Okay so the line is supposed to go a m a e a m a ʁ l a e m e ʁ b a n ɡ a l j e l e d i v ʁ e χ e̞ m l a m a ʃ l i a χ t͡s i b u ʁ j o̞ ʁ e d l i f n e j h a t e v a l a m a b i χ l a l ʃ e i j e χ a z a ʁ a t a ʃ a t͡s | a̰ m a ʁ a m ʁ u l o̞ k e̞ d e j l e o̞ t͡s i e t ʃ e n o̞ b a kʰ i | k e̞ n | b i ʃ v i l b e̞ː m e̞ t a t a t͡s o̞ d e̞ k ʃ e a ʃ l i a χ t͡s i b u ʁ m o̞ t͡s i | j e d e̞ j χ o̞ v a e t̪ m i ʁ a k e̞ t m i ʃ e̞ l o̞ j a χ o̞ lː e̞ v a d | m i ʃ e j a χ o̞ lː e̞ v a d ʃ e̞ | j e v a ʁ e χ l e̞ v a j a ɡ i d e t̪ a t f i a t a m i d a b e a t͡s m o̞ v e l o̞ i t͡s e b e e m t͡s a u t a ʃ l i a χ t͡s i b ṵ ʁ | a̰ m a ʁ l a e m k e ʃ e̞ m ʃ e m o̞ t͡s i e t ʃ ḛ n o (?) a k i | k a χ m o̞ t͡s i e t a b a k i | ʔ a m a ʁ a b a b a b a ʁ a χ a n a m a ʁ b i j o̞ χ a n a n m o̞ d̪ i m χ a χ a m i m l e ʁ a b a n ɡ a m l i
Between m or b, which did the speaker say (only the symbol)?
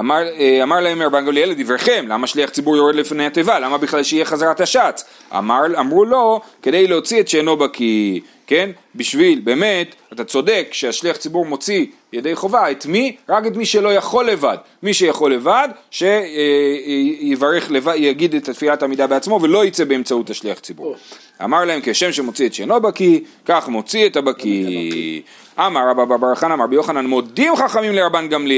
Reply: b